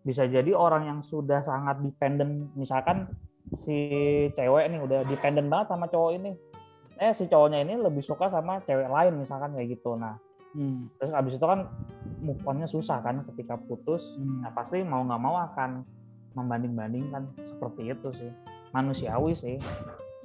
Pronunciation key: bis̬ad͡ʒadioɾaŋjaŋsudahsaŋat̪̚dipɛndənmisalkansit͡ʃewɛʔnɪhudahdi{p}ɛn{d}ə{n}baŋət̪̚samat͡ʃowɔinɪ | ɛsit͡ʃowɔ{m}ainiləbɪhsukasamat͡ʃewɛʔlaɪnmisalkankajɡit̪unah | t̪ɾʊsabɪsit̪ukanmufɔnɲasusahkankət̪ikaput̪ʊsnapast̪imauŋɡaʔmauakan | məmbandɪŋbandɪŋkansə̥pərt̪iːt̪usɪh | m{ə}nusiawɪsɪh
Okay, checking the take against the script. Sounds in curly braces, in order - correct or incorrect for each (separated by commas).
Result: correct, correct, correct, incorrect, incorrect